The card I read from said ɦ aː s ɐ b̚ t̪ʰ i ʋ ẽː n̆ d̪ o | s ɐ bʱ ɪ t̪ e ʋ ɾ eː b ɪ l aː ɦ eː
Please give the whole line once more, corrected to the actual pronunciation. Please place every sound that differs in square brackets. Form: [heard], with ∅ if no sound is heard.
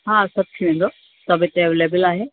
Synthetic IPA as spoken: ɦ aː s ɐ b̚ t̪ʰ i ʋ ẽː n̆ d̪ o | s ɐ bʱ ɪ t̪ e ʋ [l] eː b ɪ l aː ɦ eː